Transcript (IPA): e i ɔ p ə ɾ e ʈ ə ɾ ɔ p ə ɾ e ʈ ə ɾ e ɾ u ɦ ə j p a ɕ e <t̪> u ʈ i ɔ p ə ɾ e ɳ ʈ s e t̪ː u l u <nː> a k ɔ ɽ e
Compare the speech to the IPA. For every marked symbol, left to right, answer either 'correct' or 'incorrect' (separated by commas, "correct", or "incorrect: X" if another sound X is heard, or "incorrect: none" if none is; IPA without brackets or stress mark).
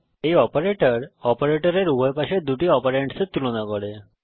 incorrect: d̪, incorrect: n